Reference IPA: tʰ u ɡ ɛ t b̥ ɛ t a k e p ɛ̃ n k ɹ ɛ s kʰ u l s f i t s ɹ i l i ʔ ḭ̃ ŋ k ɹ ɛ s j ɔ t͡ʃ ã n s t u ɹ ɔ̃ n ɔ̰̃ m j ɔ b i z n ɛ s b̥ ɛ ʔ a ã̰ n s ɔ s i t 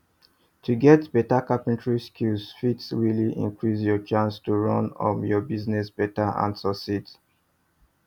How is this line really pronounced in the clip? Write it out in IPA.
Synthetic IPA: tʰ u ɡ ɛ t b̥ ɛ t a k a p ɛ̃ n t ɹ i s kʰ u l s f i t s ɹ i l i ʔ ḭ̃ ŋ k ɹ i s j ɔ t͡ʃ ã n s t u ɹ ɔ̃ n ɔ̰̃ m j ɔ b i z n ɛ s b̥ ɛ t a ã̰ n s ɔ s i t

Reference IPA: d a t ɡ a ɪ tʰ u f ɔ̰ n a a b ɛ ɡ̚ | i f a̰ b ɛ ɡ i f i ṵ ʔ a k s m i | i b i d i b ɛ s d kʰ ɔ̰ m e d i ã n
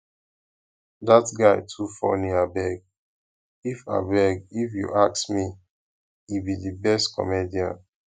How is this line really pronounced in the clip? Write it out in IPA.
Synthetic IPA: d a t ɡ a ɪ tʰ u f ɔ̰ n i a b ɛ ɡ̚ | i f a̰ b ɛ ɡ i f j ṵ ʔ a k s m i | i b i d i b ɛ s t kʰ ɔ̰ m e d i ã n

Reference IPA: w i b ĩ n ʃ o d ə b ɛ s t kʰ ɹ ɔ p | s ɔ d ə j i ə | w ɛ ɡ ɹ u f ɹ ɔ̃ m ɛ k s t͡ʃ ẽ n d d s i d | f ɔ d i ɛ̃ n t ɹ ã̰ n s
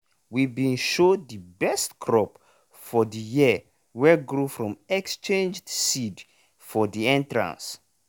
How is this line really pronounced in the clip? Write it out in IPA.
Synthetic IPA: w i b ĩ n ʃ o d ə b ɛ s t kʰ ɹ ɔ p | f ɔ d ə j i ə | w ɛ ɡ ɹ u f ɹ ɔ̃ m ɛ k s t͡ʃ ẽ n d͡ʒ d s i d | f ɔ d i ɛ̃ n t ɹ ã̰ n s

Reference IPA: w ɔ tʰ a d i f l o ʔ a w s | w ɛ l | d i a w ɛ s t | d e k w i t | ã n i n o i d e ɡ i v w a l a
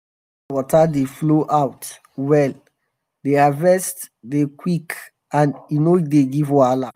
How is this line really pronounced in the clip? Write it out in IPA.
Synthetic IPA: w ɔ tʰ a d e f l o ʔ a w t | w ɛ l | d e a v ɛ s t | d e k w i k | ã n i n o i d e ɡ i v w a l a

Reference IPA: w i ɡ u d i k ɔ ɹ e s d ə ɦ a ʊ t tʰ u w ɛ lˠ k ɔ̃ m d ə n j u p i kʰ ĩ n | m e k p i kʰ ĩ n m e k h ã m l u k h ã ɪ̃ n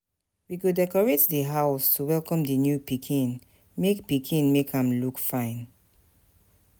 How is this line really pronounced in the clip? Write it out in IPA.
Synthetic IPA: w i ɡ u d ɛ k ɔ ɹ e t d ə ɦ a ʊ s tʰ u w ɛ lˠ k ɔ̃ m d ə n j u p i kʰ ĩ n | m e k p i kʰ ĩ n m e k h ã m l u k f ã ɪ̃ n

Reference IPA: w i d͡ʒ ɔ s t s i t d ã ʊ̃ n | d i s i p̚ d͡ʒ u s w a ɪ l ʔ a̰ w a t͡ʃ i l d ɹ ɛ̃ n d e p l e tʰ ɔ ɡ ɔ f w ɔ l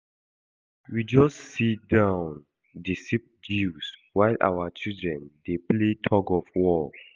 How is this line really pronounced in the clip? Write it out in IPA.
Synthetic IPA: w i d͡ʒ ɔ s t s i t d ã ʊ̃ n | d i s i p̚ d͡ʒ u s w a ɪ l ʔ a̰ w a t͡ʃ i l d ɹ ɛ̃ n d e p l e tʰ ɔ ɡ ɔ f w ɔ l

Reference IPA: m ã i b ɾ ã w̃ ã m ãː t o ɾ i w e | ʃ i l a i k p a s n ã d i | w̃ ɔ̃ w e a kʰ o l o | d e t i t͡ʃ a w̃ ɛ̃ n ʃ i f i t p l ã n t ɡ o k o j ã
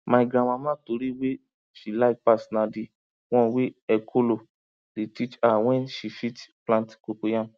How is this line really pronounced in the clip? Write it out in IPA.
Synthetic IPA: m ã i ɡ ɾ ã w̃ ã m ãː t o ɾ i w e | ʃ i l a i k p a s n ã d i | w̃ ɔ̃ w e ɛ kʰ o l o | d e t i t͡ʃ a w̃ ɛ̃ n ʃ i f i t p l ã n t k o k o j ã

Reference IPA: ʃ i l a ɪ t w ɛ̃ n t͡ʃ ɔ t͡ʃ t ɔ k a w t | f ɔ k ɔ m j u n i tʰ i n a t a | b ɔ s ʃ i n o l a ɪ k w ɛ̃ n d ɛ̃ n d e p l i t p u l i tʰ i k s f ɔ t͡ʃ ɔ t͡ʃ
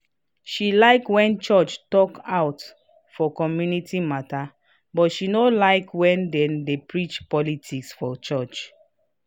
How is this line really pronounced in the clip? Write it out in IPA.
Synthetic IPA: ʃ i l a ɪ k w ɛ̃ n t͡ʃ ɔ t͡ʃ t ɔ k a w t | f ɔ k ɔ m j u n i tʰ i m a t a | b ɔ t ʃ i n o l a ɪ k w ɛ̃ n d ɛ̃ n d e p ɹ i t͡ʃ p ɔ l i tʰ i k s f ɔ t͡ʃ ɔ t͡ʃ

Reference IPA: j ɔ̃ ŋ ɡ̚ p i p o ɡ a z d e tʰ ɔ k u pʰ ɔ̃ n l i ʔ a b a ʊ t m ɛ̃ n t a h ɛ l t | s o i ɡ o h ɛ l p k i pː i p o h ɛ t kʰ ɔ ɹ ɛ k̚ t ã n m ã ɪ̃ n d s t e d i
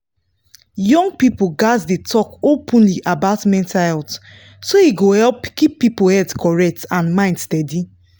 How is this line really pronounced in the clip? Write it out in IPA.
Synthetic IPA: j ɔ̃ ŋ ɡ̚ p i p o ɡ a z d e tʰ ɔ k o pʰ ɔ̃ n l i ʔ a b a ʊ t m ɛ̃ n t a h ɛ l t | s o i ɡ o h ɛ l p k i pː i p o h ɛ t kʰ ɔ ɹ ɛ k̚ t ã n m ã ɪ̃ n d s t ɛ d i

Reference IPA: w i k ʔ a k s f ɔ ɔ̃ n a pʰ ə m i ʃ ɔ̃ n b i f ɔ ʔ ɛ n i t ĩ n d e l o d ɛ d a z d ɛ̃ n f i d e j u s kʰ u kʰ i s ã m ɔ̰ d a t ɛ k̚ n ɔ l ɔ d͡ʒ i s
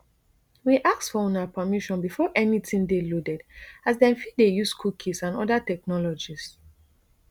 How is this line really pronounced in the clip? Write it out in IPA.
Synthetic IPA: w i ʔ a k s f ɔ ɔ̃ n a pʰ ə m i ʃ ɔ̃ n b i f ɔ ʔ ɛ n i t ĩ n d e l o d ɛ d a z d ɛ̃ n f i d e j u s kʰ u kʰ i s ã n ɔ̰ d a t ɛ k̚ n ɔ l ɔ d͡ʒ i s

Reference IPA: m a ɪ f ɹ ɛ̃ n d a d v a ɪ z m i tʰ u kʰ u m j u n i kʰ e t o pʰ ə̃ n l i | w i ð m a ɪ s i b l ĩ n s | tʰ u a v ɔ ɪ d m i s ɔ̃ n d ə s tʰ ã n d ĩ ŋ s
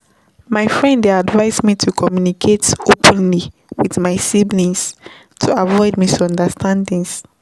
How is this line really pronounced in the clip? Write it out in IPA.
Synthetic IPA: m a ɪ f ɹ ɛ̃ n d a d v a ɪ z m i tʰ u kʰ ɔ m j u n i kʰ e t o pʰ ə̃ n l i | w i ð m a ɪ s i b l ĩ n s | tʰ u a v ɔ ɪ d m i s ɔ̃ n d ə s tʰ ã n d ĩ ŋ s

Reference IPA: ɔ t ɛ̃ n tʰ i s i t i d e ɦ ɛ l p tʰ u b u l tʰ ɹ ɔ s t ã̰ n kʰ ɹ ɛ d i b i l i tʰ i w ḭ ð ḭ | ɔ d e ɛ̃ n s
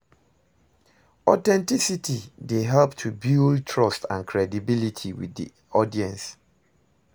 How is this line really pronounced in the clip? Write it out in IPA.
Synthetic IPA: ɔ t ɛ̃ n t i s i t i d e ɦ ɛ l p tʰ u b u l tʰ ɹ ɔ s t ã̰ n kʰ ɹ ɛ d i b i l i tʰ i w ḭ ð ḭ | ɔ d i ɛ̃ n s

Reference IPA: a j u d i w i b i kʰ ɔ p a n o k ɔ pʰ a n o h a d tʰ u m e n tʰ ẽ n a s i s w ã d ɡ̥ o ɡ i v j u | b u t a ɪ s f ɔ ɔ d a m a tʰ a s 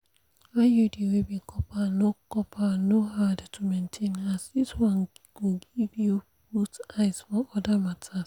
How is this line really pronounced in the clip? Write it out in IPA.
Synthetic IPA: a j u d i w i b i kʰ ɔ p a n o k ɔ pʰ a n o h a d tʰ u m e n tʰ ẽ n a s i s w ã n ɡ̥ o ɡ i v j u | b u t a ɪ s f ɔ ɔ d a m a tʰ a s

